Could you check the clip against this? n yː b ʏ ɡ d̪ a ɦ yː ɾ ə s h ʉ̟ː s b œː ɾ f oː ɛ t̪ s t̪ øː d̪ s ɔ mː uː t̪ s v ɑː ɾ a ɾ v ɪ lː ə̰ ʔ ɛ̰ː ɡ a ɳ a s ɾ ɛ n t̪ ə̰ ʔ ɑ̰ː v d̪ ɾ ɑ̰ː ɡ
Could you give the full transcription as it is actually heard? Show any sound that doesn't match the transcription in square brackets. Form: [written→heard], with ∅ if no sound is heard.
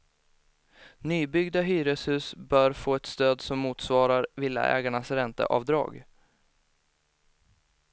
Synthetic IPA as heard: n yː b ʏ ɡ d̪ a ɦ yː ɾ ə s h ʉ̟ː s b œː ɾ f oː ɛ t̪ s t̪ øː d̪ s ɔ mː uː t̪ s v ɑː ɾ a ɾ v ɪ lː [ə̰→a̰] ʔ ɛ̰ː ɡ a ɳ a s ɾ ɛ n t̪ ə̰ ʔ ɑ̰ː v d̪ ɾ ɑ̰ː ɡ